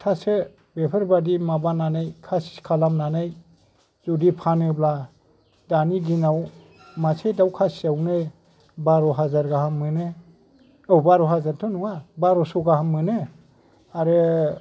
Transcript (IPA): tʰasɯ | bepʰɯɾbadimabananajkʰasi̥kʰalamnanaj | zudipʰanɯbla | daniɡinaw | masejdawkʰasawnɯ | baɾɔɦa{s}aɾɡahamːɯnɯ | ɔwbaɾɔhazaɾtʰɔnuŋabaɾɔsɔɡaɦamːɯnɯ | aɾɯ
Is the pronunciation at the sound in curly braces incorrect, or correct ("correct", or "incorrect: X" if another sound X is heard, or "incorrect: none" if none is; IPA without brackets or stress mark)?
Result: incorrect: z